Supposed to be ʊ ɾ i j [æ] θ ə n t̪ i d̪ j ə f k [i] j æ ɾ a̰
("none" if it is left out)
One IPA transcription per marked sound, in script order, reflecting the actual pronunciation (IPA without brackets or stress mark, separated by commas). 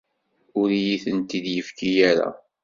i, i